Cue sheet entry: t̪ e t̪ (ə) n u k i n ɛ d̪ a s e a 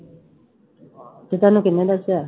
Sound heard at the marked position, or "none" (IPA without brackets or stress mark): a